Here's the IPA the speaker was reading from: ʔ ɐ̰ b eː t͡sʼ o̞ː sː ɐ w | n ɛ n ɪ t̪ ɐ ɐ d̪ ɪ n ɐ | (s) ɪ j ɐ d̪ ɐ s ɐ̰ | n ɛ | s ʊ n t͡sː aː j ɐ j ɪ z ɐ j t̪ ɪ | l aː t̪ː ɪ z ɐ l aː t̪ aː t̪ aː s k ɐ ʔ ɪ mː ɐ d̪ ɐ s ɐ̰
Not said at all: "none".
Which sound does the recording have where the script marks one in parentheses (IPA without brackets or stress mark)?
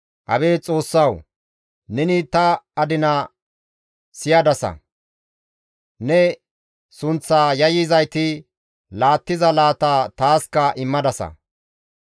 s